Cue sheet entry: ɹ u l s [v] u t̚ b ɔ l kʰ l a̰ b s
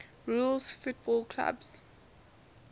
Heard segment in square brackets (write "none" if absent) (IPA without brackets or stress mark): f